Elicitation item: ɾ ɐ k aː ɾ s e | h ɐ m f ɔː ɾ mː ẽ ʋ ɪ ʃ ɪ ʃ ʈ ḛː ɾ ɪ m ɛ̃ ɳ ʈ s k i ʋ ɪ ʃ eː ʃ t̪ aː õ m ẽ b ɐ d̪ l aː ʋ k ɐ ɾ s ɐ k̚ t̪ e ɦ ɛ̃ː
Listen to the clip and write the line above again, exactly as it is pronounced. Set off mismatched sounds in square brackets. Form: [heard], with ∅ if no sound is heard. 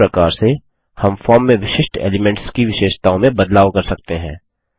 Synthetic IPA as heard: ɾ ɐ k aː ɾ s e | h ɐ m f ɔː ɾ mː ẽ ʋ ɪ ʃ ɪ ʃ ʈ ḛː [l] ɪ m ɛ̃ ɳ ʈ s k i ʋ ɪ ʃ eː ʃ t̪ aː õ m ẽ b ɐ d̪ l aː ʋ k ɐ ɾ s ɐ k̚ t̪ e ɦ ɛ̃ː